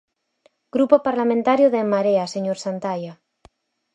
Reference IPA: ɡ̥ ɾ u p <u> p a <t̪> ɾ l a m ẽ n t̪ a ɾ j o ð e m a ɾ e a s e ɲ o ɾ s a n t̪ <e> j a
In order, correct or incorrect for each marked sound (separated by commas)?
incorrect, incorrect, incorrect